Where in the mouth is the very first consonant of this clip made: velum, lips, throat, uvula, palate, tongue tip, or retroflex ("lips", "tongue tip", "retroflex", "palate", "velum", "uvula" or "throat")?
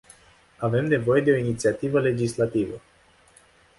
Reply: lips